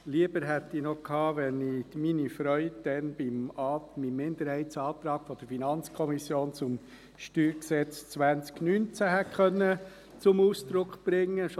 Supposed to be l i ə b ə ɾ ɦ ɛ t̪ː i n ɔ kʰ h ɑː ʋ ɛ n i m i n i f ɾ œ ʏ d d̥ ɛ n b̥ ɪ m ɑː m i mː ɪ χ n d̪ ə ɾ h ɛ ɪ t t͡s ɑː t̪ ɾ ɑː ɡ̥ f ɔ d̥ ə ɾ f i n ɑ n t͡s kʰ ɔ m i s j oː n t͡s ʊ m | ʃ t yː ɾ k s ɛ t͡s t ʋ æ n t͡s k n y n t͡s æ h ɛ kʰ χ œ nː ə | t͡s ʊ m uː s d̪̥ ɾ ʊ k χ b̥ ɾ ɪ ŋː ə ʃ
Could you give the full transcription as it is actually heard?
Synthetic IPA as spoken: l i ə b ə ɾ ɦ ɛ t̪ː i n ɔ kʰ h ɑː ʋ ɛ n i m i n i f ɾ œ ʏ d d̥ ɛ n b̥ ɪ m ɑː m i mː ɪ n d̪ ə ɾ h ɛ ɪ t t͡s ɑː t̪ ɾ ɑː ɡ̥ f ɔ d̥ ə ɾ f i n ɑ n t͡s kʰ ɔ m i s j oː n t͡s ʊ m | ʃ t yː ɾ k s ɛ t͡s t͡s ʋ æ n t͡s k n y n t͡s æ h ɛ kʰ χ œ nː ə | t͡s ʊ m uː s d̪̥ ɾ ʊ k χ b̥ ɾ ɪ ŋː ə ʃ